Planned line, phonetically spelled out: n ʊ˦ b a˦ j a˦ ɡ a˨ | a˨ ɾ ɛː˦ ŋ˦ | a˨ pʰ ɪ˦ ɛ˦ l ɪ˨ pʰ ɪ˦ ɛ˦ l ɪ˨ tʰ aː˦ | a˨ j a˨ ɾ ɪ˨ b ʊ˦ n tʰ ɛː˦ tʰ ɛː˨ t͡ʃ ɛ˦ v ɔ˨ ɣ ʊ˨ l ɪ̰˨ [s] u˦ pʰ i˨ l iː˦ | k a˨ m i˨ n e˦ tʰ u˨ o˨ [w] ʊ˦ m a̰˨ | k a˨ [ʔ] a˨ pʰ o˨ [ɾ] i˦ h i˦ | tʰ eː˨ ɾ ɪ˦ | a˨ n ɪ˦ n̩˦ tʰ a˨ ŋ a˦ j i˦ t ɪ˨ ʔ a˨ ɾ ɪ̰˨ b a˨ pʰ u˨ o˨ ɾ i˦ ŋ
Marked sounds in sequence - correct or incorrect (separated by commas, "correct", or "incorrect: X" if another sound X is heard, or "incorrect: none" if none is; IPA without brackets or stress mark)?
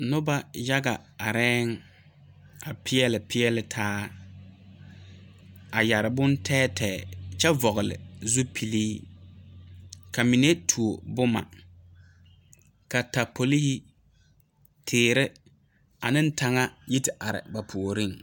incorrect: z, incorrect: b, incorrect: t, incorrect: l